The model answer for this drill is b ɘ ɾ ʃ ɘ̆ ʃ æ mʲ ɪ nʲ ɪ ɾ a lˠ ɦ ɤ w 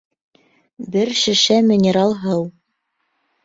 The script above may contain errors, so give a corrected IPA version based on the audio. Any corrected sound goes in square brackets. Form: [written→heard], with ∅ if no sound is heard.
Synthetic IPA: b ɘ ɾ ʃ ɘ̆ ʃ æ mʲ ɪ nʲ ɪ ɾ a lˠ ɦ ɤ w